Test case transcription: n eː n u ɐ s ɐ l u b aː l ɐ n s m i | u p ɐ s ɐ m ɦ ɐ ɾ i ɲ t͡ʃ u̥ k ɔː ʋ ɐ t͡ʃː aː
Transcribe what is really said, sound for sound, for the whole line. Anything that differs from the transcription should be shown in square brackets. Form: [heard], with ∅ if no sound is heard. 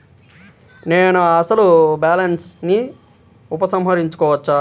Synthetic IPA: n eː n u ɐ s ɐ l u b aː l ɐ n s [n] i | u p ɐ s ɐ m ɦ ɐ ɾ i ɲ t͡ʃ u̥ k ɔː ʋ ɐ t͡ʃː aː

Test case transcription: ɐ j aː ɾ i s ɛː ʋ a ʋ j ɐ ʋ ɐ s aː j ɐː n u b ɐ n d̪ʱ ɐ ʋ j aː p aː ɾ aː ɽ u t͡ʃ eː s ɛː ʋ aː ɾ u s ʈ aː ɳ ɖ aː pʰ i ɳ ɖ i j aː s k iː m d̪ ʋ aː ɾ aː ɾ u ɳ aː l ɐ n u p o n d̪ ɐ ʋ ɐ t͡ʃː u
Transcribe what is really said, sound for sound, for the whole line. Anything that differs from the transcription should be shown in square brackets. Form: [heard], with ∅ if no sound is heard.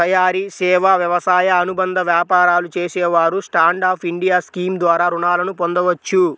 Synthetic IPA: ɐ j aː ɾ i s ɛː ʋ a ʋ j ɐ ʋ ɐ s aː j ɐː n u b ɐ n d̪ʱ ɐ ʋ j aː p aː ɾ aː [l] u t͡ʃ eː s ɛː ʋ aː ɾ u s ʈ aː ɳ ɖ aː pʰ i ɳ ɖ i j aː s k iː m d̪ ʋ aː ɾ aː ɾ u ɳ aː l ɐ n u p o n d̪ ɐ ʋ ɐ t͡ʃː u

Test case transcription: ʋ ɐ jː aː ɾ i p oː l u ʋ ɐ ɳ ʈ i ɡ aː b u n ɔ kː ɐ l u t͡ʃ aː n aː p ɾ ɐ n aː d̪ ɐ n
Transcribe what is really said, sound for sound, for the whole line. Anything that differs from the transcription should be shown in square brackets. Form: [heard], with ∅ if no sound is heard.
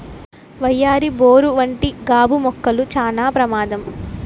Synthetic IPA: ʋ ɐ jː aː ɾ i [b] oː [ɾ] u ʋ ɐ ɳ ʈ i ɡ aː b u [m] ɔ kː ɐ l u t͡ʃ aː n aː p ɾ ɐ [m] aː d̪ ɐ [m]

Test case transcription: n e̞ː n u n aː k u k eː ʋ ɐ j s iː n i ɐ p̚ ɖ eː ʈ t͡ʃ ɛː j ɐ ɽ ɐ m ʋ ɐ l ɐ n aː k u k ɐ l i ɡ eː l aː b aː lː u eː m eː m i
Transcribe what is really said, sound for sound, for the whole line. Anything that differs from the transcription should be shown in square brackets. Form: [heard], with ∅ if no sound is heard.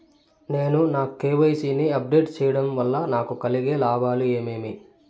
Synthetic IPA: n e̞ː n u n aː k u k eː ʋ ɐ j s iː n i ɐ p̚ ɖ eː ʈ t͡ʃ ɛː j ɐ ɽ ɐ m ʋ ɐ [lː] ɐ n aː k u k ɐ l i ɡ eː l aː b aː [l] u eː m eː m i

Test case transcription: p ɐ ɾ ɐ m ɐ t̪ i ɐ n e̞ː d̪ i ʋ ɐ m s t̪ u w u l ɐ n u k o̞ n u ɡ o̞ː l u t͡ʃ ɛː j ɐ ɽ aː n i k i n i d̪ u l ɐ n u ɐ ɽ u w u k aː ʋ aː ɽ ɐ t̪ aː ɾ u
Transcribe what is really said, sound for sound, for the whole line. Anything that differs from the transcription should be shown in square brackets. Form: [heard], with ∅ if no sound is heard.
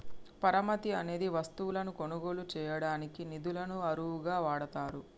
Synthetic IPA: p ɐ ɾ ɐ m ɐ t̪ i ɐ n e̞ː d̪ i ʋ ɐ [∅] s t̪ u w u l ɐ n u k o̞ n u ɡ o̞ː l u t͡ʃ ɛː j ɐ ɽ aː n i k i n i d̪ u l ɐ n u ɐ [ɾ] u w u [ɡ] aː ʋ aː ɽ ɐ t̪ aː ɾ u

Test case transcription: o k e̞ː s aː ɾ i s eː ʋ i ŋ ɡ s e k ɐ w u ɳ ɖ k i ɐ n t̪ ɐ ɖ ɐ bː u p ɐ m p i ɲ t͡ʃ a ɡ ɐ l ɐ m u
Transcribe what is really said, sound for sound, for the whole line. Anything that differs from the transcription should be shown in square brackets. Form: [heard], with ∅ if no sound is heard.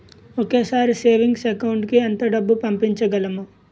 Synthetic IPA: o k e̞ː s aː ɾ i s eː ʋ i ŋ ɡ s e k ɐ w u ɳ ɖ k i ɐ n t̪ ɐ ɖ ɐ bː u p ɐ m p i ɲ t͡ʃ [ɐ] ɡ ɐ l ɐ m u

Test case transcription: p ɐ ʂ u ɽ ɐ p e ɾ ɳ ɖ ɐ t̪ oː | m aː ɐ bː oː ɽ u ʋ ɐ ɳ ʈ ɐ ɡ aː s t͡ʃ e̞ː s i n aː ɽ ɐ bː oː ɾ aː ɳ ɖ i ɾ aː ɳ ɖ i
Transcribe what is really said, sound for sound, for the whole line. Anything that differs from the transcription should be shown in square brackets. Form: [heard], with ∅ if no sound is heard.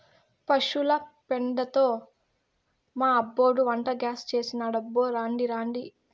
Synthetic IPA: p ɐ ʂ u [l] ɐ p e [∅] ɳ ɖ ɐ t̪ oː | m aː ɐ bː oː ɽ u ʋ ɐ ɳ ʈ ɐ ɡ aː s t͡ʃ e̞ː s i n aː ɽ ɐ bː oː ɾ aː ɳ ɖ i ɾ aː ɳ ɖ i

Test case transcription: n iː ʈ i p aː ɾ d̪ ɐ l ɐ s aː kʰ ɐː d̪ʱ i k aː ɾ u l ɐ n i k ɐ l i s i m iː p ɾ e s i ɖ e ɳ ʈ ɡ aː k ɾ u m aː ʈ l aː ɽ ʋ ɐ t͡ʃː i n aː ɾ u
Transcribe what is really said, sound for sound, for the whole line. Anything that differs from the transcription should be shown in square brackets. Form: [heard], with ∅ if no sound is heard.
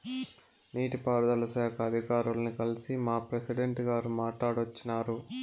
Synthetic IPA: n iː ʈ i p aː ɾ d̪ ɐ l ɐ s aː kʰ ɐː d̪ʱ i k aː ɾ u l ɐ n i k ɐ l i s i m [aː] p ɾ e s i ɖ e ɳ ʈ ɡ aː [∅] ɾ u m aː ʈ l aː ɽ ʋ ɐ t͡ʃː i n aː ɾ u

